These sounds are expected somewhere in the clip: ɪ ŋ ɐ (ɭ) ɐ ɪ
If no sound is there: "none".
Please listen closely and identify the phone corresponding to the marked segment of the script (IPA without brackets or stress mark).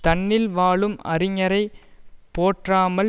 ɾ